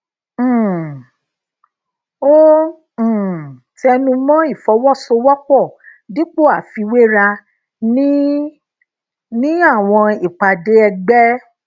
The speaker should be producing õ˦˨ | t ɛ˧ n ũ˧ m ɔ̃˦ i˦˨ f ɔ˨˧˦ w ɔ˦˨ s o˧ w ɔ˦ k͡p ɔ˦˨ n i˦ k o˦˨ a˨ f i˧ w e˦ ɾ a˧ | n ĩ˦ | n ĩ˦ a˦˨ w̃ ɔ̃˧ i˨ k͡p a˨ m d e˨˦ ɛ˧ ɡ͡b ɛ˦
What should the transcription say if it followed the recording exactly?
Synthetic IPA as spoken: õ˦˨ | t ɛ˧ n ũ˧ m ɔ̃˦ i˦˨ f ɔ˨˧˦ w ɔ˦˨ s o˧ w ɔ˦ k͡p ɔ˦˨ d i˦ k͡p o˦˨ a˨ f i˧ w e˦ ɾ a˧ | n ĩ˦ | n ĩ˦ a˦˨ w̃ ɔ̃˧ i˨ k͡p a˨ d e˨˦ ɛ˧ ɡ͡b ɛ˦